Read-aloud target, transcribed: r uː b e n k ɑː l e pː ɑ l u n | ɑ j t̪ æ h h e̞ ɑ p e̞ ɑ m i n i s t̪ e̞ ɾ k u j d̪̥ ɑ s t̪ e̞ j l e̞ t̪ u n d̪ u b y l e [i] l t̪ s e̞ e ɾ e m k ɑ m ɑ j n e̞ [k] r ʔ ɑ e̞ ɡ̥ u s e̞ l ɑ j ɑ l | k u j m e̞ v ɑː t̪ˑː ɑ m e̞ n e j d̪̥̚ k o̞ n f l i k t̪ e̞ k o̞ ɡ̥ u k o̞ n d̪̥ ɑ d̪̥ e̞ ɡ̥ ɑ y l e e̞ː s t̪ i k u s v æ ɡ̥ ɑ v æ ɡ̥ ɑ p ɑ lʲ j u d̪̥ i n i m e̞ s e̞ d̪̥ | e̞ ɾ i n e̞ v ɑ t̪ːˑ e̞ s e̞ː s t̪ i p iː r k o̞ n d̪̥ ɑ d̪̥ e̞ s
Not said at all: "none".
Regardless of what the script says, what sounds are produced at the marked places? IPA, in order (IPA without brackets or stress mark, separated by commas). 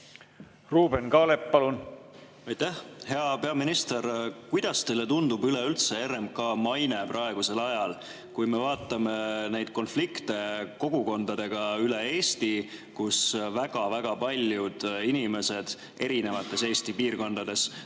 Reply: y, p